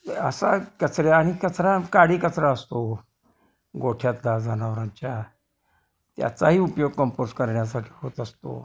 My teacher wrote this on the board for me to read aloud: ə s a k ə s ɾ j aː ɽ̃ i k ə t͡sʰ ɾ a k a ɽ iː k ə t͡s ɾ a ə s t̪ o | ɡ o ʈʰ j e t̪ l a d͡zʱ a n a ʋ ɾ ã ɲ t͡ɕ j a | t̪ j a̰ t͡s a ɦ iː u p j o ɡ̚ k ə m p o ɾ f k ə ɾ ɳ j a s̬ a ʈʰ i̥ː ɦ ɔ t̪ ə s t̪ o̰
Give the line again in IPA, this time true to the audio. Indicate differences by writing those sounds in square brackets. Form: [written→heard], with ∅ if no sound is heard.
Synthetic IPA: ə s a k ə [s→t͡s] ɾ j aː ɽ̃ i k ə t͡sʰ ɾ a k a ɽ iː k ə t͡s ɾ a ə s t̪ o | ɡ o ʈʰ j [e→a] t̪ l a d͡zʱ a n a ʋ ɾ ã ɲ t͡ɕ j a | t̪ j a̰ t͡s a ɦ iː u p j o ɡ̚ k ə m p o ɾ [f→s] k ə ɾ ɳ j a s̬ a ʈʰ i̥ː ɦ [ɔ→o] t̪ ə s t̪ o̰